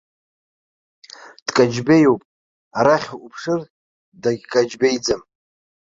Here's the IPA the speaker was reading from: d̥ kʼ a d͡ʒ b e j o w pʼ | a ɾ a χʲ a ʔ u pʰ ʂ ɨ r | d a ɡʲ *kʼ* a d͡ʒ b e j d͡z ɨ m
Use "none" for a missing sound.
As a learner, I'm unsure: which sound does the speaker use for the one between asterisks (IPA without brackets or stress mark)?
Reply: kʼ